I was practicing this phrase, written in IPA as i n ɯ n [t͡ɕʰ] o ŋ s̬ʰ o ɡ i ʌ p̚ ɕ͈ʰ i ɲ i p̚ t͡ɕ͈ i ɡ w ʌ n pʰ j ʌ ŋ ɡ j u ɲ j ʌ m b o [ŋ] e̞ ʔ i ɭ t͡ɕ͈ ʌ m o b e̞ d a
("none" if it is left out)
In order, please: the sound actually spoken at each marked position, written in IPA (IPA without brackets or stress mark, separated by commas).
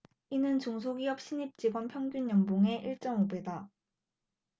t͡ɕ, ŋ